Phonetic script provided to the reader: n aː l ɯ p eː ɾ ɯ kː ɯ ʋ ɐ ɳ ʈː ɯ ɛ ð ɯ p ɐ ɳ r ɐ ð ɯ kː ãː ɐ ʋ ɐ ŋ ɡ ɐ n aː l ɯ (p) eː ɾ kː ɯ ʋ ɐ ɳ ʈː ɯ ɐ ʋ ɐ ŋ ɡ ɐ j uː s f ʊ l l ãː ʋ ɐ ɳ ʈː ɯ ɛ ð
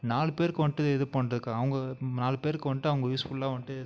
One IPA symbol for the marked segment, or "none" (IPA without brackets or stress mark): p